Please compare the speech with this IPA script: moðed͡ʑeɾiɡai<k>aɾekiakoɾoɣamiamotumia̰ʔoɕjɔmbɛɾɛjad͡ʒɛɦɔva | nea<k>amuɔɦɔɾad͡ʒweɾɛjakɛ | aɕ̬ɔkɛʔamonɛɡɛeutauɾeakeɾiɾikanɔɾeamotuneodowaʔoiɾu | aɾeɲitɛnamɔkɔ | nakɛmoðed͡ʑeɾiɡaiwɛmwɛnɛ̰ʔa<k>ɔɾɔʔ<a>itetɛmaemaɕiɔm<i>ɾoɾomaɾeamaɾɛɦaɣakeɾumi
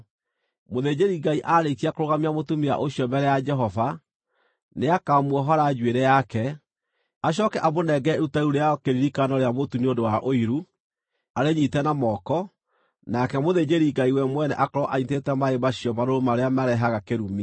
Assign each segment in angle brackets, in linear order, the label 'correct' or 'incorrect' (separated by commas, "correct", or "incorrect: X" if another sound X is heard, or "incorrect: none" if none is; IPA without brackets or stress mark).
incorrect: ʔ, correct, correct, correct, incorrect: a